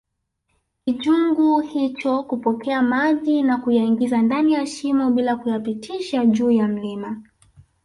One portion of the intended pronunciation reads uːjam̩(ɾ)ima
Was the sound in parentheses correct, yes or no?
no